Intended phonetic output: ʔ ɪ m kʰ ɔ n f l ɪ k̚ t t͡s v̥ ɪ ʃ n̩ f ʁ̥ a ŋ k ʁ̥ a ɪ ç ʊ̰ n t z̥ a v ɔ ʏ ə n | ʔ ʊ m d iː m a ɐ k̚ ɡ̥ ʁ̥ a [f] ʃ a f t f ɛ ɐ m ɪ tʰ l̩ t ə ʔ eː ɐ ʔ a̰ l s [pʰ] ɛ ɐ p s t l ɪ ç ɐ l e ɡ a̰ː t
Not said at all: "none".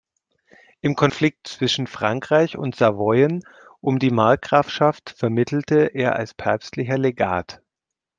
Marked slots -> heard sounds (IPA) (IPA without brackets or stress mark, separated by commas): f, pʰ